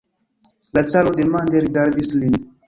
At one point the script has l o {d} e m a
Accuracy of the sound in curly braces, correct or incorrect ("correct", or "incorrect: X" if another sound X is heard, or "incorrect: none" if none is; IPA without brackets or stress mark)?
correct